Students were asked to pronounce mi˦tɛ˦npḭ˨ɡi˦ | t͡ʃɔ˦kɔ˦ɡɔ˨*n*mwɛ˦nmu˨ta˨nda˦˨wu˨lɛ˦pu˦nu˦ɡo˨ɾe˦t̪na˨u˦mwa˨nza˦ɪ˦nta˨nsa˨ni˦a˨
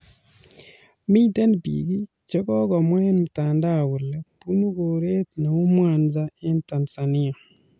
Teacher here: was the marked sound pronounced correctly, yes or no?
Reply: no